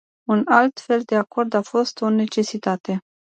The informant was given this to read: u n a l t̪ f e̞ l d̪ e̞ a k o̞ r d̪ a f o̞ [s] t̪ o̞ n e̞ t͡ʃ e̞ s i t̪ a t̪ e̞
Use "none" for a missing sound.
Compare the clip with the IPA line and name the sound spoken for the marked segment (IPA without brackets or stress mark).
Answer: s